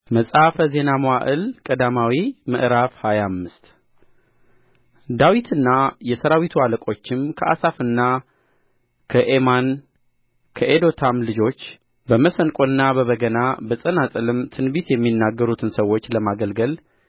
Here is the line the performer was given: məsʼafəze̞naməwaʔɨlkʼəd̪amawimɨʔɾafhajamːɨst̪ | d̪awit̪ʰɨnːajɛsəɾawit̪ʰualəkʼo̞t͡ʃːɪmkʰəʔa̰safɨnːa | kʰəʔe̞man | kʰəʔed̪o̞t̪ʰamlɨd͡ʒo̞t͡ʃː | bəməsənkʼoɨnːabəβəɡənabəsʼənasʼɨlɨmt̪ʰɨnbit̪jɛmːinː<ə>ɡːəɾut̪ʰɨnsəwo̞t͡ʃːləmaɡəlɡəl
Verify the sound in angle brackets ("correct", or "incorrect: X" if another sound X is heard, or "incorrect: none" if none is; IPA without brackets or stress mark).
incorrect: a